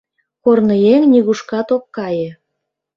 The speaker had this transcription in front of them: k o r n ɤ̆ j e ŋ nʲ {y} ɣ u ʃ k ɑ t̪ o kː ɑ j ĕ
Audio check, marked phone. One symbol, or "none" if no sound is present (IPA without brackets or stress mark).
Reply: i